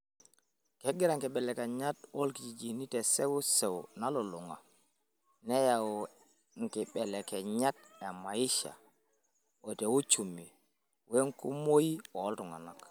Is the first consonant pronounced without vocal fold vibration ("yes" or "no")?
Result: yes